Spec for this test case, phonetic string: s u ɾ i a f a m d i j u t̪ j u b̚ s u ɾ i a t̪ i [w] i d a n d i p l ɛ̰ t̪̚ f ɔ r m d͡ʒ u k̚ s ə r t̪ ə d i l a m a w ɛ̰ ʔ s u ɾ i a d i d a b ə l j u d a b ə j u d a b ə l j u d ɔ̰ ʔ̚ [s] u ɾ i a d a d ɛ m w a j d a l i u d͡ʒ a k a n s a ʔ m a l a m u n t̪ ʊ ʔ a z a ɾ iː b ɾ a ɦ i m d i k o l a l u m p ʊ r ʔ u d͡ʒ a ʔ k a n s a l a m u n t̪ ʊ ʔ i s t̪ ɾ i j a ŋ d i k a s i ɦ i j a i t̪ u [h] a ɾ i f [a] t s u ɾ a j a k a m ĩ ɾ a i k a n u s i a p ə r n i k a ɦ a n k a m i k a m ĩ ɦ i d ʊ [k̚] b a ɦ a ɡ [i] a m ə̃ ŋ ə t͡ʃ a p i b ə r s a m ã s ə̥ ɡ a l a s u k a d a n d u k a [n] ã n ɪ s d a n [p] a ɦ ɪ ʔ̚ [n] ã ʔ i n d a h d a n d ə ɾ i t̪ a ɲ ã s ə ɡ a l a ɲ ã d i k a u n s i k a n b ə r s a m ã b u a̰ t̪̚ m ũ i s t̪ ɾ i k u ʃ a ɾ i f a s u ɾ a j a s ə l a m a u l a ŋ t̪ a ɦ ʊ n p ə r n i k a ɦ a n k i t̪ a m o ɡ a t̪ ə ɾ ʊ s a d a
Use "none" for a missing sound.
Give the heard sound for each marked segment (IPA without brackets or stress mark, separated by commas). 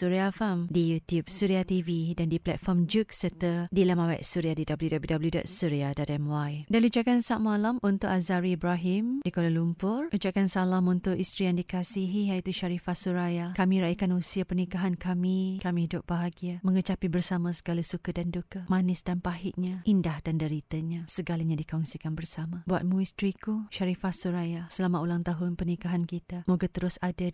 v, s, ʃ, a, p̚, i, m, p, ɲ